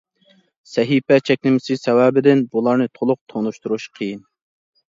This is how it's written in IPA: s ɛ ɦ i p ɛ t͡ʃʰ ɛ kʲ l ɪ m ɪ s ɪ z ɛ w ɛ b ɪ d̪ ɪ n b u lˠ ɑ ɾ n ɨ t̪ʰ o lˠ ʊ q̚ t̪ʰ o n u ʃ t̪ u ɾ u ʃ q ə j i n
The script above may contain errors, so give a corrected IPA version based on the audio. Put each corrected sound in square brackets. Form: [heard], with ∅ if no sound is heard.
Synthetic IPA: s ɛ ɦ i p ɛ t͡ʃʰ ɛ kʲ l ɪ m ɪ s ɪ [s] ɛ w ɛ b ɪ d̪ ɪ n b u lˠ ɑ ɾ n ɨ t̪ʰ o lˠ ʊ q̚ t̪ʰ o n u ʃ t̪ u ɾ u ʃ [qʰ] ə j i n